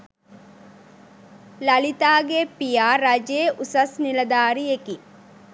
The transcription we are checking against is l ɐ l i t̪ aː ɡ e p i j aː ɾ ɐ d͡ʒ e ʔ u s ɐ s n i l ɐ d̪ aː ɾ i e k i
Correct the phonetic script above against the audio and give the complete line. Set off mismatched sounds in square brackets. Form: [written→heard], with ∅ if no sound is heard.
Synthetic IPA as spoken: l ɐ l i t̪ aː ɡ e p i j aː ɾ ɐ d͡ʒ e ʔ u s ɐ s n i l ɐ d̪ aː ɾ i e k i